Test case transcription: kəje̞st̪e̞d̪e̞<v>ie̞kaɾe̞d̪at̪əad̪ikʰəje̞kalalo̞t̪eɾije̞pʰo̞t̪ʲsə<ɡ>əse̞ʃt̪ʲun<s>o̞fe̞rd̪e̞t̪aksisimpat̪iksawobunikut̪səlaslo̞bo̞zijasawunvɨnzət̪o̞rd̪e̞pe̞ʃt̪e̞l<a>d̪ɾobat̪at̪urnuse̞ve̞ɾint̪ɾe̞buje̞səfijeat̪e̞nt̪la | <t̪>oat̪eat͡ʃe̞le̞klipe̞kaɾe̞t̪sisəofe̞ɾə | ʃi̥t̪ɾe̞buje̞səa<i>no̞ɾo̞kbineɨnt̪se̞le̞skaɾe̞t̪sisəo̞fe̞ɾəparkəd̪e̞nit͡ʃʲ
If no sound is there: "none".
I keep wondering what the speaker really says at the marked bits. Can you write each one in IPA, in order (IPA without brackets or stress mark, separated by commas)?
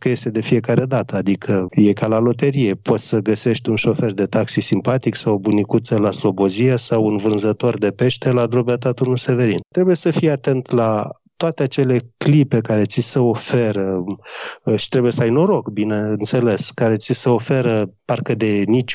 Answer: f, ɡ, ʃ, a, t̪, j